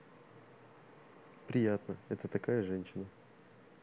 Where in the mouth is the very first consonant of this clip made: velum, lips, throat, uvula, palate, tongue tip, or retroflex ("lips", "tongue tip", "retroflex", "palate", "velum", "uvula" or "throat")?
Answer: lips